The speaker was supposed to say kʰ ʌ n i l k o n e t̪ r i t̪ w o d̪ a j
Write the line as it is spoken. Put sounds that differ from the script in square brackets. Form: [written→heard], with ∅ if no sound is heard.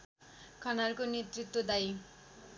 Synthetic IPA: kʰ ʌ n [i→a] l k o n e t̪ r i t̪ w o d̪ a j